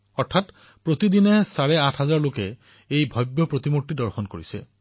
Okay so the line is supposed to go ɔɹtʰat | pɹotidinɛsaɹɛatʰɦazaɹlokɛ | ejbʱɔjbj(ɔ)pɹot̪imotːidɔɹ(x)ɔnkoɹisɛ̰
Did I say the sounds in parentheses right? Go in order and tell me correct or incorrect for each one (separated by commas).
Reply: correct, correct